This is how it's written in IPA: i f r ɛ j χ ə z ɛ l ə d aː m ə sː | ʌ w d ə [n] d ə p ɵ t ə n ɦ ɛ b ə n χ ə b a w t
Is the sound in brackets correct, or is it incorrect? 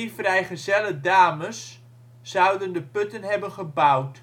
correct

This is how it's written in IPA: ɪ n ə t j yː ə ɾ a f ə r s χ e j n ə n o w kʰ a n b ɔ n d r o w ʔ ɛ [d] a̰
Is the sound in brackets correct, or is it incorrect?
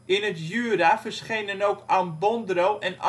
incorrect: n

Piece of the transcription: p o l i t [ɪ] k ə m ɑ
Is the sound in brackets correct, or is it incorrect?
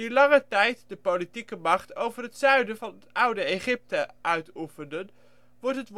incorrect: i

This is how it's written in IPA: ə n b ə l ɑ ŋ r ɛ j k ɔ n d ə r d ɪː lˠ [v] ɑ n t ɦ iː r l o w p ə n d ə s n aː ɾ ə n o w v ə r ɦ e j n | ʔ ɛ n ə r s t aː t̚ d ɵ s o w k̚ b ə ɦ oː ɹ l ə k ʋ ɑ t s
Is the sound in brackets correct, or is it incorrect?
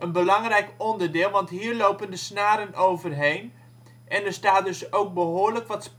incorrect: ʋ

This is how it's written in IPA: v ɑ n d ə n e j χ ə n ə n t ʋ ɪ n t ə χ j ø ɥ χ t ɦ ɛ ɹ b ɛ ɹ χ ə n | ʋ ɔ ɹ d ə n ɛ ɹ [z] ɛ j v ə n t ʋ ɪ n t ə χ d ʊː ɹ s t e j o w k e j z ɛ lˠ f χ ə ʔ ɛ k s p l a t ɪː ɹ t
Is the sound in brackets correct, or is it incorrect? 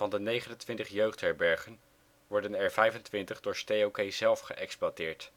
incorrect: v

